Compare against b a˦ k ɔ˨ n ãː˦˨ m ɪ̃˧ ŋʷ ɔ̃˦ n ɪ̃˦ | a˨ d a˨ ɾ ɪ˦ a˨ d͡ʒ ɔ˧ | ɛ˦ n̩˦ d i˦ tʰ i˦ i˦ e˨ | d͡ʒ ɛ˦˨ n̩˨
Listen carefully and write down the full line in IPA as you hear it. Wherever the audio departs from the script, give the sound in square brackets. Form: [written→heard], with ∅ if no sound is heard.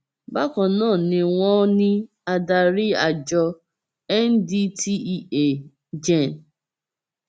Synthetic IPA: b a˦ k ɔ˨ n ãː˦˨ [m→n] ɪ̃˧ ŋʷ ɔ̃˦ n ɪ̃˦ | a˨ d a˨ ɾ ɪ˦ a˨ d͡ʒ ɔ˧ | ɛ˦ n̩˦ d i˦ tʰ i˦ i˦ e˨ | d͡ʒ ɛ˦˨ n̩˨